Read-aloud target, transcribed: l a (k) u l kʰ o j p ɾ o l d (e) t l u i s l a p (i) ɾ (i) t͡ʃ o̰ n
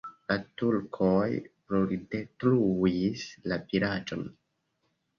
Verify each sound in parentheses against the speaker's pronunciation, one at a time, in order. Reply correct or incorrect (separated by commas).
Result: incorrect, correct, correct, incorrect